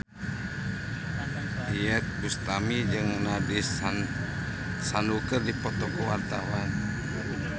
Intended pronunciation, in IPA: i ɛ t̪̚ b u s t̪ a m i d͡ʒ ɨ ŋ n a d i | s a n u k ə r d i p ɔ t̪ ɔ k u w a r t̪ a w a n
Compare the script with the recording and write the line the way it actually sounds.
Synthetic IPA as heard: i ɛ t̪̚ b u s t̪ a m i d͡ʒ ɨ ŋ n a d i | s a n u k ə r d i p ɔ t̪ ɔ k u w a r t̪ a w a n